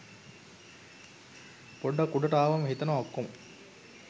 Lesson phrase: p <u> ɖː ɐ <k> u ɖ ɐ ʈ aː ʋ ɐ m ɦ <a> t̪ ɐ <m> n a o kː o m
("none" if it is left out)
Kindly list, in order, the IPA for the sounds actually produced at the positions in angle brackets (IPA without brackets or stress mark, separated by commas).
o, k, i, none